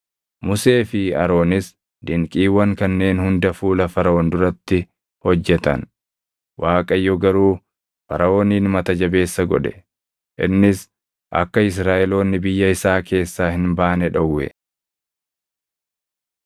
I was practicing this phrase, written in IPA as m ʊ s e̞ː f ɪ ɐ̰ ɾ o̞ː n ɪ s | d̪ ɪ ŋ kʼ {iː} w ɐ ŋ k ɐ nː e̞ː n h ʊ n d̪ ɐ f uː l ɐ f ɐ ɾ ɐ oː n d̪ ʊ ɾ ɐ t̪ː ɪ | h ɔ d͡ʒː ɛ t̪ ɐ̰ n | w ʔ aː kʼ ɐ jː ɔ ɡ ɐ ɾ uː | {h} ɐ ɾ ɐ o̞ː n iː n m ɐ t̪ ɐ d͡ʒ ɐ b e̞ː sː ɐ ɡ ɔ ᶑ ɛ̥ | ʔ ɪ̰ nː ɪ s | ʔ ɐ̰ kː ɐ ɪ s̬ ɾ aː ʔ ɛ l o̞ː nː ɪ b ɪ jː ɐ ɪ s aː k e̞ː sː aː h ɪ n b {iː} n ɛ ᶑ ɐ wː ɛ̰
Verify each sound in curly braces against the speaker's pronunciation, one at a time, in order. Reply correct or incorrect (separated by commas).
correct, incorrect, incorrect